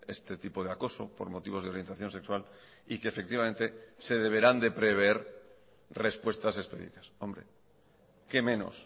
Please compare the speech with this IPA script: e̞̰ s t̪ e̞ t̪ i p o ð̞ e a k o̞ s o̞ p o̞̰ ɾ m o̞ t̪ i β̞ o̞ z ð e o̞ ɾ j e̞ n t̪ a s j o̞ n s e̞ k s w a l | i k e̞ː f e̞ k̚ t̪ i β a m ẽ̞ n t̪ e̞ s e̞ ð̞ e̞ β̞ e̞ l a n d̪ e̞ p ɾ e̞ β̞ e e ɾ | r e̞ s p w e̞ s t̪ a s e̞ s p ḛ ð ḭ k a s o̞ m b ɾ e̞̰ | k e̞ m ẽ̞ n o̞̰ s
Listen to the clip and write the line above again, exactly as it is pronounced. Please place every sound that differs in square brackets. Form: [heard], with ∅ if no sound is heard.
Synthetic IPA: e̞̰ s t̪ e̞ t̪ i p o ð̞ e a k o̞ s o̞ p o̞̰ ɾ m o̞ t̪ i β̞ o̞ z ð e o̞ ɾ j e̞ n t̪ a [θ] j o̞ n s e̞ k s w a l | i k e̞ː f e̞ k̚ t̪ i β a m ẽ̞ n t̪ e̞ s e̞ ð̞ e̞ β̞ e̞ [ɾ] a n d̪ e̞ p ɾ e̞ β̞ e e ɾ | r e̞ s p w e̞ s t̪ a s e̞ s p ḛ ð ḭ k a s o̞ m b ɾ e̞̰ | k e̞ m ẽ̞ n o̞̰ s